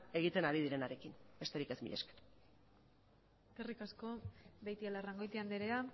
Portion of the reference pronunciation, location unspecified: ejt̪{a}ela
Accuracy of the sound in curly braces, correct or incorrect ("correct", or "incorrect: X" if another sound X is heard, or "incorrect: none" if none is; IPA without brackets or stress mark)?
incorrect: i